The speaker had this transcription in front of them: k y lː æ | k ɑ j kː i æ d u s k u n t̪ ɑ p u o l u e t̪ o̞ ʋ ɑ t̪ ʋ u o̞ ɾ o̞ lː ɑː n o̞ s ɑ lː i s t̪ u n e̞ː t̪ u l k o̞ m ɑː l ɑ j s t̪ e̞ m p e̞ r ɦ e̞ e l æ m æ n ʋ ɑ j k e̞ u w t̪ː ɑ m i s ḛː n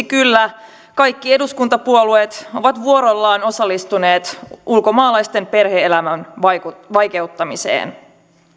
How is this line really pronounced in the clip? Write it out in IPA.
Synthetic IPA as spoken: k y lː æ | k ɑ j kː i e d u s k u n t̪ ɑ p u o l u e t̪ o̞ ʋ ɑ t̪ ʋ u o̞ ɾ o̞ lː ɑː n o̞ s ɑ lː i s t̪ u n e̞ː t̪ u l k o̞ m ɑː l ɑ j s t̪ e̞ m p e̞ r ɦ e̞ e l æ m æ n ʋ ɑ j k e̞ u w t̪ː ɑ m i s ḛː n